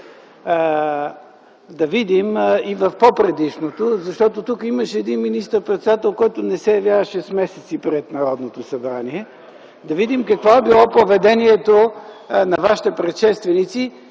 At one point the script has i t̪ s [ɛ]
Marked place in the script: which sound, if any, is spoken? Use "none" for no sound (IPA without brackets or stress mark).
i